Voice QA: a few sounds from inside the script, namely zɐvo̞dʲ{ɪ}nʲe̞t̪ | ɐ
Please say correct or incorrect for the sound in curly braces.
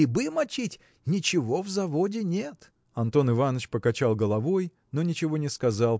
correct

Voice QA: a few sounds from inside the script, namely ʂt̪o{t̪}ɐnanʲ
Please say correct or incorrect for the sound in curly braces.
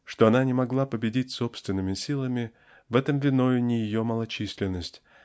incorrect: none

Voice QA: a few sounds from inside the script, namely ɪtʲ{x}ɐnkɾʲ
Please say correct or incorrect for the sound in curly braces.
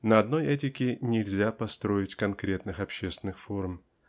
incorrect: k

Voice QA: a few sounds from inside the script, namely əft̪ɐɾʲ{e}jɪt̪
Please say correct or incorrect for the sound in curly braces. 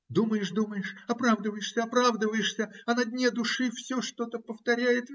incorrect: æ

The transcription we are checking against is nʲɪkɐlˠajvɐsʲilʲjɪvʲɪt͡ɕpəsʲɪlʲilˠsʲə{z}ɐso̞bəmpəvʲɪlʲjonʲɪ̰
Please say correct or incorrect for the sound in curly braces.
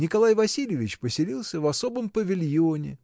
incorrect: v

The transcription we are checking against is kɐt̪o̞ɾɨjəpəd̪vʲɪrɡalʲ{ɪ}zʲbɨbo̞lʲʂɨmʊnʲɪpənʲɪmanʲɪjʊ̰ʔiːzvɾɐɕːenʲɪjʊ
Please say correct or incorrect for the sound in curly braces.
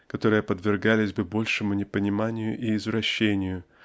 correct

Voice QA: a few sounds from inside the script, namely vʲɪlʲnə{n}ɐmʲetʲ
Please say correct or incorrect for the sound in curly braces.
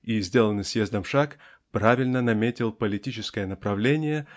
correct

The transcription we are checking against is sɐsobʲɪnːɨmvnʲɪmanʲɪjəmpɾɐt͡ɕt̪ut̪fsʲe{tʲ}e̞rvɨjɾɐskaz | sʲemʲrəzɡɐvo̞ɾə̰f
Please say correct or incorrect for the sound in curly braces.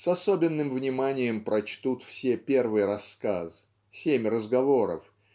incorrect: pʲ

